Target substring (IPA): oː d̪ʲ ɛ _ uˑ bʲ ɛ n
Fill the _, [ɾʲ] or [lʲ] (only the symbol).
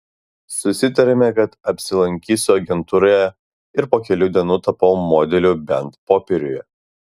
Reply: lʲ